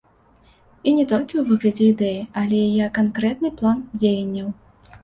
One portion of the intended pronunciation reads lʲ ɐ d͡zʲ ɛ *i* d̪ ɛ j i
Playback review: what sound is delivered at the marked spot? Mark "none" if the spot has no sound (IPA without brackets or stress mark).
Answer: i